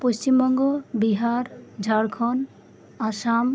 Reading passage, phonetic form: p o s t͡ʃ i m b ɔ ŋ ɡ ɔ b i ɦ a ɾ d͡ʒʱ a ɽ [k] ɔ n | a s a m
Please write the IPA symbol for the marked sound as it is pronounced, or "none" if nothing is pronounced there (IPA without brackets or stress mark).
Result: kʰ